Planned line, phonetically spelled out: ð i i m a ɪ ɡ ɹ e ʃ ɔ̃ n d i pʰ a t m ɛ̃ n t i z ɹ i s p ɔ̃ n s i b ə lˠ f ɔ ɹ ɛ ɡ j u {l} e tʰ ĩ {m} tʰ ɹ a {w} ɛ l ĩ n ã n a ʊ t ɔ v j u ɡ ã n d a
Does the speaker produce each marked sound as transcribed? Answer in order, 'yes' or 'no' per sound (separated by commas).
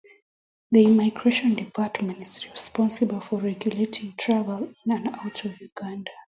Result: yes, no, no